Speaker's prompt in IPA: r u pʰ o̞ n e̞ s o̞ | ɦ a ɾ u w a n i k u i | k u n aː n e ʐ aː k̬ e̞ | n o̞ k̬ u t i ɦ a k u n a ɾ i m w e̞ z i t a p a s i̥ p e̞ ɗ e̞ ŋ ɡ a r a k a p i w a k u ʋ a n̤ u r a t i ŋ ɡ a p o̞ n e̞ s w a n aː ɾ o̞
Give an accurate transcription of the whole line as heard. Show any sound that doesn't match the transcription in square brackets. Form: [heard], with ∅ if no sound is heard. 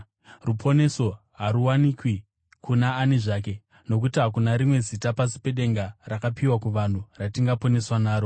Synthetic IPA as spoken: r u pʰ o̞ n e̞ s o̞ | ɦ a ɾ u w a n i k [w] i | k u n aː n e ʐ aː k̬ e̞ | n o̞ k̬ u t i ɦ a k u n a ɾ i m w e̞ z i t a p a s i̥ p e̞ ɗ e̞ ŋ ɡ a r a k a p i w a k u ʋ a n̤ u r a t i ŋ ɡ a p o̞ n e̞ s w a n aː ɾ o̞